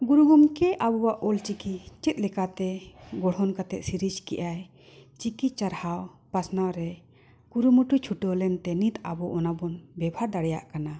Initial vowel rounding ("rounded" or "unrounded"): rounded